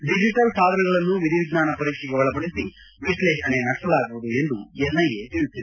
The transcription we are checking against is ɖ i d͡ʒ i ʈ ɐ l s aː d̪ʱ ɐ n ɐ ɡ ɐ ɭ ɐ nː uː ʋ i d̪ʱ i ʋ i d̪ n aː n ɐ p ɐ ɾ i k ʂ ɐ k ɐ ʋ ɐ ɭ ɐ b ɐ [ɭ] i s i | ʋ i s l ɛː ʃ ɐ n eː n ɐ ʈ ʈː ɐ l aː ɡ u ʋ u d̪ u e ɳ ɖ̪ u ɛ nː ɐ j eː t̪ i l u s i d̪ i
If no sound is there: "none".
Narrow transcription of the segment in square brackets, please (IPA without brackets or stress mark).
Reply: ɽ